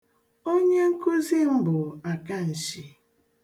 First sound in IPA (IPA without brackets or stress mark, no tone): o